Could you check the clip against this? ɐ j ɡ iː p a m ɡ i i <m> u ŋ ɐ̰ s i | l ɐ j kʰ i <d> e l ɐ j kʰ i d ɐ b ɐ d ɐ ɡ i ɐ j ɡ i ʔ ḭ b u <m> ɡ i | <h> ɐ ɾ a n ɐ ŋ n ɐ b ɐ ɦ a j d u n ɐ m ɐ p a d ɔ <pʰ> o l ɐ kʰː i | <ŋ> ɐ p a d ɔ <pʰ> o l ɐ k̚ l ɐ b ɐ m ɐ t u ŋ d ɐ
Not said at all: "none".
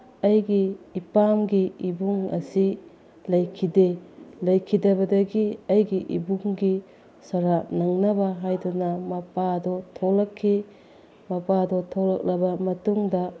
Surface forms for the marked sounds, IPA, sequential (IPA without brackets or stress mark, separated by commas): b, d, ŋ, s, tʰ, m, tʰ